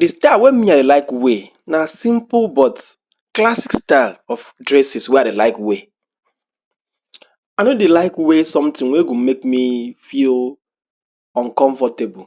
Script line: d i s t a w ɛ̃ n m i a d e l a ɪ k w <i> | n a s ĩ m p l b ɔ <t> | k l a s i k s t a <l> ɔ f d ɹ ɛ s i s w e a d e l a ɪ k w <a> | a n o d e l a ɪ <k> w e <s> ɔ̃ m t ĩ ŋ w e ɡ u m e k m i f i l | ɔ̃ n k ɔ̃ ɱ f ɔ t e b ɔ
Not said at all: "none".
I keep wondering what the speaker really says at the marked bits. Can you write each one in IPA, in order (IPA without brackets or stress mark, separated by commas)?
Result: e, t, l, e, k, s